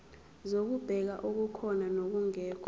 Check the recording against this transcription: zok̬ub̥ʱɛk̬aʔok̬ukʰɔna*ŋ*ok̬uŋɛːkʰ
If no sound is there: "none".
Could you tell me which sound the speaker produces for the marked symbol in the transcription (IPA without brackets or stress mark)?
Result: n